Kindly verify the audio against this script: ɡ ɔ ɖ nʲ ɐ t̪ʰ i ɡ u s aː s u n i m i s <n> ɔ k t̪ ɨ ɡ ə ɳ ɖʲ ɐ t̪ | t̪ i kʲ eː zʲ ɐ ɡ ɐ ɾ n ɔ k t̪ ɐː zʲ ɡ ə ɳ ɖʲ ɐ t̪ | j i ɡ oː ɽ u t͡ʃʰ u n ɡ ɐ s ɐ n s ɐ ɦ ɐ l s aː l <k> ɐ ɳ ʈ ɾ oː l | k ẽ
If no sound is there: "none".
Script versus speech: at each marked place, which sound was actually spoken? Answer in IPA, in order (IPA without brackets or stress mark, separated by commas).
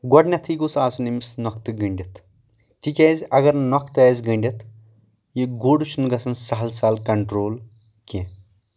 n, k